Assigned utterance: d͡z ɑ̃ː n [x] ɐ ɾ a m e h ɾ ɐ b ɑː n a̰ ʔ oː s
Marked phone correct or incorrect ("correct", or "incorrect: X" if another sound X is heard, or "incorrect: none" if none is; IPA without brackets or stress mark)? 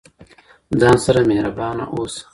incorrect: s